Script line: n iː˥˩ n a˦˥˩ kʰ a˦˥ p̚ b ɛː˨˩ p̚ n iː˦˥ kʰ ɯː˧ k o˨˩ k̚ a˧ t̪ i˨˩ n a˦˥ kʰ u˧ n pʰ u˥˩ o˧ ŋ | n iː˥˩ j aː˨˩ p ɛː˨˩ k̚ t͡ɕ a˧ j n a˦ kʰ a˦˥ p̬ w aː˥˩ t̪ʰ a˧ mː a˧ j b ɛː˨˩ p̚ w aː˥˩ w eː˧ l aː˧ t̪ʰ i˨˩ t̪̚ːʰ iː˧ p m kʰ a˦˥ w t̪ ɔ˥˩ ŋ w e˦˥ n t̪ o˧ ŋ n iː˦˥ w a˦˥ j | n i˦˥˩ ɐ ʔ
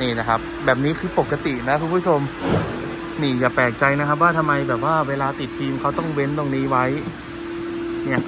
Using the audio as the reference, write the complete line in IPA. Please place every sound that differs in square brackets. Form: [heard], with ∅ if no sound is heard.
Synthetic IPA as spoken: n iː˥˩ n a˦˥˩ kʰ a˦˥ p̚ b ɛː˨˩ p̚ n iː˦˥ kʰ ɯː˧ [p] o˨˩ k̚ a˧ t̪ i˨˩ n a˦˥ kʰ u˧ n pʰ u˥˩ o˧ [m] | n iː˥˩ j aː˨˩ p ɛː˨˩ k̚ t͡ɕ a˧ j n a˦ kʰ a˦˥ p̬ w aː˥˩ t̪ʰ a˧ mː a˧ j b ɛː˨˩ p̚ w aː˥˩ w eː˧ l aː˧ [t̪] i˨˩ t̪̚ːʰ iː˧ [∅] m kʰ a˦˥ w t̪ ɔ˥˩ ŋ w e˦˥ n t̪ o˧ ŋ n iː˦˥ w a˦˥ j | n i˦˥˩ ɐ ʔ

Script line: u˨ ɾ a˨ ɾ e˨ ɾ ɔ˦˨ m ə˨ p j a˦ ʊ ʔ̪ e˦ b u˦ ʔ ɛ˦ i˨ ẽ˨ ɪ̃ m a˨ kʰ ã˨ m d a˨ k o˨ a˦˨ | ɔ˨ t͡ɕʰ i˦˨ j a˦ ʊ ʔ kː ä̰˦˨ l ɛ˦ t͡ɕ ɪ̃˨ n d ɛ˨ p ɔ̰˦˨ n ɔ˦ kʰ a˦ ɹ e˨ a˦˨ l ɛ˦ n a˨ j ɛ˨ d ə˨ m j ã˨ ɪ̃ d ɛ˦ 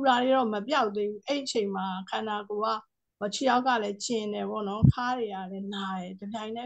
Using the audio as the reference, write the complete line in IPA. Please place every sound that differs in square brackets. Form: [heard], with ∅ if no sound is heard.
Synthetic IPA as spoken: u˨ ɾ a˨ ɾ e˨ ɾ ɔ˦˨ m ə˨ p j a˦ ʊ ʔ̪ e˦ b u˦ ʔ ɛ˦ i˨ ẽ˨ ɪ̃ m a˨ kʰ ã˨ [n] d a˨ k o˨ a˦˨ | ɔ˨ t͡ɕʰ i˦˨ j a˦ ʊ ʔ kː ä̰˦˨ l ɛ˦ t͡ɕ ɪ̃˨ n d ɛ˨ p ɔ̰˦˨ n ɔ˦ kʰ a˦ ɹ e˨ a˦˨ l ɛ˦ n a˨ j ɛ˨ d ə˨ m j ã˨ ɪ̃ [n] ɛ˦

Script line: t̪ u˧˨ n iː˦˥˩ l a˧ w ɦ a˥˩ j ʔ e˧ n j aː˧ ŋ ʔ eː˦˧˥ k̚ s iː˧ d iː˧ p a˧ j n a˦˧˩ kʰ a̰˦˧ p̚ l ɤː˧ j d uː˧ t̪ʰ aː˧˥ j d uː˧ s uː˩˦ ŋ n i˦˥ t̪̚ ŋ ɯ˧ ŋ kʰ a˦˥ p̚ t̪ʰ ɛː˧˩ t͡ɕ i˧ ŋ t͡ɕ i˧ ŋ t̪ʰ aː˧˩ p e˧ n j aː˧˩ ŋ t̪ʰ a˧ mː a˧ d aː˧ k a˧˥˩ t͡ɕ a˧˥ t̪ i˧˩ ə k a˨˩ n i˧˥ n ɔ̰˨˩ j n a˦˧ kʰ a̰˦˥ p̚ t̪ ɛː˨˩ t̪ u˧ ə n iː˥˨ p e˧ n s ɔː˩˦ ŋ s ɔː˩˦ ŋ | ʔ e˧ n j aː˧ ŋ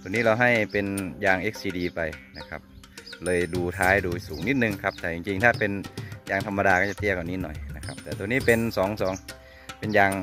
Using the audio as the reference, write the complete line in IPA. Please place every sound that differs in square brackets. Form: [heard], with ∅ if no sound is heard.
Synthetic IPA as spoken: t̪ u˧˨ n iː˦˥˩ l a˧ w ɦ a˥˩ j [p] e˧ n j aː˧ ŋ ʔ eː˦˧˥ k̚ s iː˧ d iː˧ p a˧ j n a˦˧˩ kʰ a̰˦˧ p̚ l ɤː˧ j d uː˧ t̪ʰ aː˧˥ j d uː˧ s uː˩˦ ŋ n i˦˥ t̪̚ [n] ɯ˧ ŋ kʰ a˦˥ p̚ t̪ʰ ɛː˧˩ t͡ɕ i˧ ŋ t͡ɕ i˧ ŋ t̪ʰ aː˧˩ p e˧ n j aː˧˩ ŋ t̪ʰ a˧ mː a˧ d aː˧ k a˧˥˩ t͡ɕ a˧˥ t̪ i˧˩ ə k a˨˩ n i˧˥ n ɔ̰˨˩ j n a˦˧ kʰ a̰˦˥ p̚ t̪ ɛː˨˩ t̪ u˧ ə n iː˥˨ p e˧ n s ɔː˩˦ ŋ s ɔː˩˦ ŋ | [p] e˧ n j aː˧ ŋ

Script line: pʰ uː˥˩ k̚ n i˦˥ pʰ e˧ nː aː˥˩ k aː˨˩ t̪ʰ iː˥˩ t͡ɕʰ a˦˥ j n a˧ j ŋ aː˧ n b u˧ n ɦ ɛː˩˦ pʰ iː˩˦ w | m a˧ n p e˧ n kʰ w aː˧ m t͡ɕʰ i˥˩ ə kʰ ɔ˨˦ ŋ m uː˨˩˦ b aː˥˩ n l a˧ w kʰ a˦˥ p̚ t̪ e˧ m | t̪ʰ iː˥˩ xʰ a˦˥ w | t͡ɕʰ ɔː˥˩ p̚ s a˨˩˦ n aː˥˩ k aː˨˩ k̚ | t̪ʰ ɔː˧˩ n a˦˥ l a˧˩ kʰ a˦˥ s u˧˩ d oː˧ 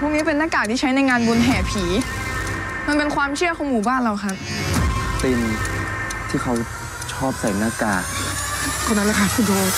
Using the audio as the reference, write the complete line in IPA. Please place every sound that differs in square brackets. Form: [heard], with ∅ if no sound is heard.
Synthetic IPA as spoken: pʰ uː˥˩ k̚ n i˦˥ [p] e˧ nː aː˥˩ k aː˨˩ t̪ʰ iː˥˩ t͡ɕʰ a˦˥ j n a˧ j ŋ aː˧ n b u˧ n ɦ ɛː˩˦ pʰ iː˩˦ [∅] | m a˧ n p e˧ n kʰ w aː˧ m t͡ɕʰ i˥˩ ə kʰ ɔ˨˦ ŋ m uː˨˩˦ b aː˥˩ n l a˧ w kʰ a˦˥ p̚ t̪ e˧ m | t̪ʰ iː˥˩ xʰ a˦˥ w | t͡ɕʰ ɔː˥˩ p̚ s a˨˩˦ n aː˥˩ k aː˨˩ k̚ | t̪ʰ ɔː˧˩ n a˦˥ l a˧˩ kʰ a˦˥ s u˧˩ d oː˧

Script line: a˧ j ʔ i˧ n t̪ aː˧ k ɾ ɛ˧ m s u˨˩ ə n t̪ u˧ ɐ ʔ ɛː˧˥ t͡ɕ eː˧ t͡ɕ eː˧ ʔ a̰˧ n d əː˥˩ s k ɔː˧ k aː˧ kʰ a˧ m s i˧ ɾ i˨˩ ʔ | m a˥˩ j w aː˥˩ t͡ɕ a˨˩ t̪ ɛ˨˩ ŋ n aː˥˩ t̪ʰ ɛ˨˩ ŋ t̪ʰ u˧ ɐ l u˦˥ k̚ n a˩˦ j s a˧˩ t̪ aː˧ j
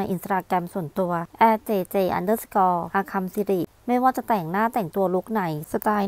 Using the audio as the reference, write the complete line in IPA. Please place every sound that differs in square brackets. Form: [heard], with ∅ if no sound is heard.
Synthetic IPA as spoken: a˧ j ʔ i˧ n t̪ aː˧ k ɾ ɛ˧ m s u˨˩ ə n t̪ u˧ ɐ ʔ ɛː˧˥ t͡ɕ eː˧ t͡ɕ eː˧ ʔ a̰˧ n d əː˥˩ s k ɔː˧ [ʔ] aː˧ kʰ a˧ m s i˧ ɾ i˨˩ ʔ | m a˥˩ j w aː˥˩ t͡ɕ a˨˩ t̪ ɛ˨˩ ŋ n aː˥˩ [t̪] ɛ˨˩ ŋ [t̪] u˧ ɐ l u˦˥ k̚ n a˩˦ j s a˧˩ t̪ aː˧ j

